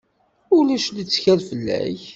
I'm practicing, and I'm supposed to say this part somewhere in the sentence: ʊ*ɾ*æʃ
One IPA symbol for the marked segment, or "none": l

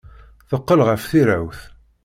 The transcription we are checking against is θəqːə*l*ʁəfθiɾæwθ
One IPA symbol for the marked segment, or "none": l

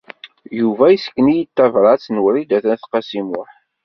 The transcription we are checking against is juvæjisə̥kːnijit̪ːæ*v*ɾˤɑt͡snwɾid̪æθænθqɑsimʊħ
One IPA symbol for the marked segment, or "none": v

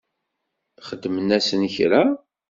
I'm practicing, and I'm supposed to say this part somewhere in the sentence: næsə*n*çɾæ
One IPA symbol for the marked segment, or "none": n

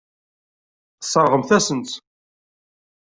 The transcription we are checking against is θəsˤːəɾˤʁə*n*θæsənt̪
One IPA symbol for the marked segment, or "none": m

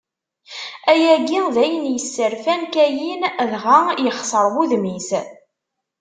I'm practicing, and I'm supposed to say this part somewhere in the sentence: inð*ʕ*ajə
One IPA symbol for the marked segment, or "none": ʁ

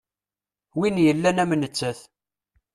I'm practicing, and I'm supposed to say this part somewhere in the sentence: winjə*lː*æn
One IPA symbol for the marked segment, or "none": lː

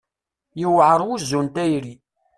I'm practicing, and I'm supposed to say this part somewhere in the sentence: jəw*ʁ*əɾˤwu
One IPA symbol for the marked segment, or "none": ʕ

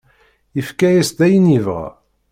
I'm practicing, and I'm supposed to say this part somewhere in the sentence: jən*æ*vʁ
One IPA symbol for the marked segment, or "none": i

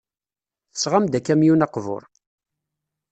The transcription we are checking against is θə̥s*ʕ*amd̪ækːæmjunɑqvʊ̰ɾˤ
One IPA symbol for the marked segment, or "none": ʁ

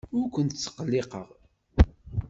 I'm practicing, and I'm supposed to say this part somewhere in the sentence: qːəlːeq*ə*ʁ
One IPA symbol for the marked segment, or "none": ə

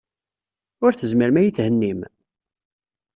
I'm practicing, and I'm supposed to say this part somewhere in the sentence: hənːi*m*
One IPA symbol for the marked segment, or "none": m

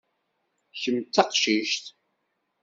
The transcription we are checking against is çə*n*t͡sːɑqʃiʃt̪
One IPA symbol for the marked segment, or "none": m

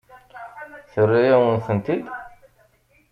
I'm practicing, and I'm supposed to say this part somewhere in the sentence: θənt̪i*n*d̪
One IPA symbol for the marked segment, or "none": none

